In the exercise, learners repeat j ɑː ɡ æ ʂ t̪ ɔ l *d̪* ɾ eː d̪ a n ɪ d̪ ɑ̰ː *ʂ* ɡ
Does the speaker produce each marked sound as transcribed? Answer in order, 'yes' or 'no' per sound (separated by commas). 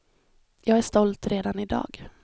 no, no